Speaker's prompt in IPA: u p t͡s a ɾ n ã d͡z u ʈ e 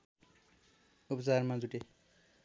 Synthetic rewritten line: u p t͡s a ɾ m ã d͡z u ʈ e